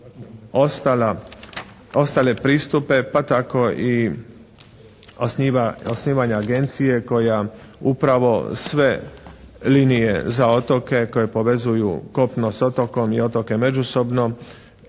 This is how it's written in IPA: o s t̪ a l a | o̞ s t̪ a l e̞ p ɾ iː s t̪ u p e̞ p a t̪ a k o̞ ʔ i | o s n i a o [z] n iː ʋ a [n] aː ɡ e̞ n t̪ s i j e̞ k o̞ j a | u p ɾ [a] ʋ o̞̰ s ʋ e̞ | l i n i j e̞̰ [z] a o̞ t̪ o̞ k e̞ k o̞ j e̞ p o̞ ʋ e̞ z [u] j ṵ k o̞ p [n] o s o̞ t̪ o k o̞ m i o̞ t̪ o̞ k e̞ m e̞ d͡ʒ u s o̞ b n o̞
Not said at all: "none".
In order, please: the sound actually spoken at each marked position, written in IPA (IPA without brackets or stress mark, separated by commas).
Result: s, ɲ, a, z, u, n